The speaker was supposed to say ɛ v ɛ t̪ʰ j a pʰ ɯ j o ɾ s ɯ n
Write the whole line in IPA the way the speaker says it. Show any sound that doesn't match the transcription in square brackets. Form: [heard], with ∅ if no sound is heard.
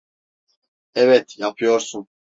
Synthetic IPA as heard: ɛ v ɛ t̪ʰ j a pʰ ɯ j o ɾ s [u] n